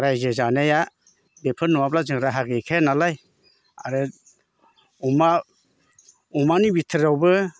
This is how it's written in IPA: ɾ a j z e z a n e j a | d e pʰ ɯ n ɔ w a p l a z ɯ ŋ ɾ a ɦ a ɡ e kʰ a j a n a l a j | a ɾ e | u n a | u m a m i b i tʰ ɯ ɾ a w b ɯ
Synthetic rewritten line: ɾ a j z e z a n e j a | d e pʰ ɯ n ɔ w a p l a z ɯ ŋ ɾ a ɦ a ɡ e kʰ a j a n a l a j | a ɾ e | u m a | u m a n i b i tʰ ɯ ɾ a w b ɯ